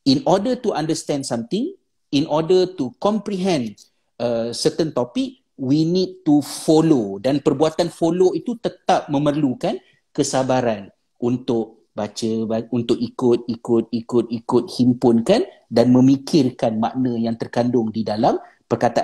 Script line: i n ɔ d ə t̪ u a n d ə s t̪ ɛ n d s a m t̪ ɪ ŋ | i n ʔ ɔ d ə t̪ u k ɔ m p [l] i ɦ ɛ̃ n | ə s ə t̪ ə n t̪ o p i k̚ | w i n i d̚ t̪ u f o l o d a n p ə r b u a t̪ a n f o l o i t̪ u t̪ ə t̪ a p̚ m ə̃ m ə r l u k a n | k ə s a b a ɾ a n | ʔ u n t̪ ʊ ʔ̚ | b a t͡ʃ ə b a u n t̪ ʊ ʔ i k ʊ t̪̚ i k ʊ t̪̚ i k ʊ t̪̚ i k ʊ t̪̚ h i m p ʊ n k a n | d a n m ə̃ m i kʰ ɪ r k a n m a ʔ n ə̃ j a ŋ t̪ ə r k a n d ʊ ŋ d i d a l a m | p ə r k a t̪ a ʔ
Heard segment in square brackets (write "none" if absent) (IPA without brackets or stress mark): ɾ